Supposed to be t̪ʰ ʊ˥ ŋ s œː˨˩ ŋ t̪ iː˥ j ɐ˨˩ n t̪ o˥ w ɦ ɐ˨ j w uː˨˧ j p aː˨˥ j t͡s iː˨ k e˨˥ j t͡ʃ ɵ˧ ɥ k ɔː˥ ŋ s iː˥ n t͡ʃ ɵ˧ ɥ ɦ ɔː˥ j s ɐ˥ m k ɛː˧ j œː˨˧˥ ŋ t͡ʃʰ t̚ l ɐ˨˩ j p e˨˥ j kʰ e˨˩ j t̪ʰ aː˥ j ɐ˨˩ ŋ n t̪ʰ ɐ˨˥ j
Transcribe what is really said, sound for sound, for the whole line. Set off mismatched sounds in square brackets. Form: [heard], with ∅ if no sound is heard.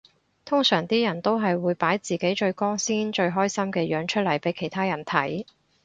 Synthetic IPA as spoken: t̪ʰ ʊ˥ ŋ s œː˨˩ ŋ t̪ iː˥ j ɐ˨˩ n t̪ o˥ w ɦ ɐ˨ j w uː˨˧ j p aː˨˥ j t͡s iː˨ k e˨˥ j t͡ʃ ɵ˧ ɥ k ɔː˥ ŋ s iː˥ n t͡ʃ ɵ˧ ɥ ɦ ɔː˥ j s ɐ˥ m k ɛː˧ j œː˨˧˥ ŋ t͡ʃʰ t̚ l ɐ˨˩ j p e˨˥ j kʰ e˨˩ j t̪ʰ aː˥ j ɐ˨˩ [∅] n t̪ʰ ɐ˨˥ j